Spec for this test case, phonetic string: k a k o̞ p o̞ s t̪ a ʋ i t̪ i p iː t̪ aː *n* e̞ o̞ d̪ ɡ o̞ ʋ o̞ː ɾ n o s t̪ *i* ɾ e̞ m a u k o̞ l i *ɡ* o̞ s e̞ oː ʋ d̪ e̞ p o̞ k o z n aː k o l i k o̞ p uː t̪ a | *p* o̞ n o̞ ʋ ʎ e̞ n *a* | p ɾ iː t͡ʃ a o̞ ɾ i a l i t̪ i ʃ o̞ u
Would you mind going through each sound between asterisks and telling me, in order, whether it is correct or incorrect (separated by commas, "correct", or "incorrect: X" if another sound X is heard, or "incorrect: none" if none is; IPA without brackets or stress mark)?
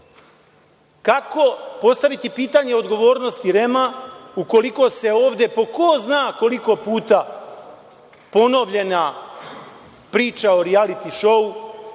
incorrect: ɲ, correct, incorrect: k, correct, correct